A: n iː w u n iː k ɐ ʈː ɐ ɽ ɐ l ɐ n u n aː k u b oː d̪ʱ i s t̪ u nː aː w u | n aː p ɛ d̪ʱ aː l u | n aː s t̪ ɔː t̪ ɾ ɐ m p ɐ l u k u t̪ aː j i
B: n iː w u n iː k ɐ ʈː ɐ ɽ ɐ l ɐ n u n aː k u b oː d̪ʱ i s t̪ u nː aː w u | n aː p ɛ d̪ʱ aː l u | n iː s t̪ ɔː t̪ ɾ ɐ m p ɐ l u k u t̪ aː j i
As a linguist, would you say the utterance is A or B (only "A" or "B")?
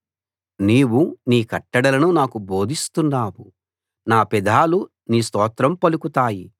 B